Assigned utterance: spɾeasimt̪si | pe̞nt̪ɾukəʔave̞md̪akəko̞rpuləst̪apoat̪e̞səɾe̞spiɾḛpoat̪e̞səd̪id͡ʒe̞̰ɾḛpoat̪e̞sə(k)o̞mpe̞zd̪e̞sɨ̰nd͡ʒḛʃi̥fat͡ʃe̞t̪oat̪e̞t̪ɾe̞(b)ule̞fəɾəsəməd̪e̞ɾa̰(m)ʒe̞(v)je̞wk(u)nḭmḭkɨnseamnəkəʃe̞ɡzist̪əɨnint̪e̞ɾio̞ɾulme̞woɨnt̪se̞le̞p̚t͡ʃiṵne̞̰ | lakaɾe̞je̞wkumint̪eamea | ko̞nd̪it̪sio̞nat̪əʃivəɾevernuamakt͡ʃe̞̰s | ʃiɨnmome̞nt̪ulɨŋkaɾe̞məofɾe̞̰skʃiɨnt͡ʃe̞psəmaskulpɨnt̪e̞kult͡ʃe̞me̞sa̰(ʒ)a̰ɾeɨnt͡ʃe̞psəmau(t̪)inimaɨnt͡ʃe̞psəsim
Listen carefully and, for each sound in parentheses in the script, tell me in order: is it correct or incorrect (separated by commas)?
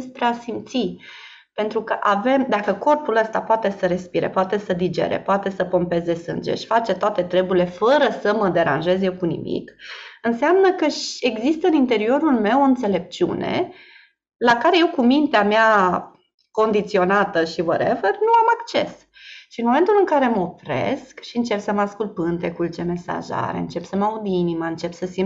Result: incorrect, correct, incorrect, incorrect, correct, correct, incorrect